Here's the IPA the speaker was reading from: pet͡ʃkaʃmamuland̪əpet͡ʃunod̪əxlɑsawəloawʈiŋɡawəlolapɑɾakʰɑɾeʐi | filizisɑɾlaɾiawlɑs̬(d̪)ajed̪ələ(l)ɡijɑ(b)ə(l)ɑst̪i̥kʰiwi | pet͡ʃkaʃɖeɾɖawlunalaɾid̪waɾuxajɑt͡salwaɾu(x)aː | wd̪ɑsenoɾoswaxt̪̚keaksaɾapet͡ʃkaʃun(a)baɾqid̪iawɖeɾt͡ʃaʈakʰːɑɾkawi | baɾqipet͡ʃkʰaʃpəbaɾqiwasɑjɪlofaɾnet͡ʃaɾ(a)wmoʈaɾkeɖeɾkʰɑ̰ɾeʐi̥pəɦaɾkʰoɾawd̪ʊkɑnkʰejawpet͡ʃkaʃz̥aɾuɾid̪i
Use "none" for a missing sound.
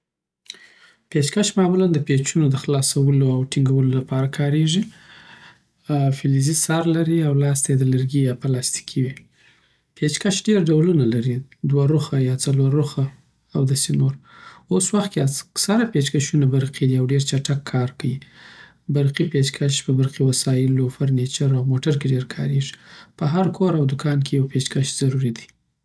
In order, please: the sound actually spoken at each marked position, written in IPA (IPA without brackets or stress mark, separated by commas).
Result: t̪, ɾ, p, l, x, a, a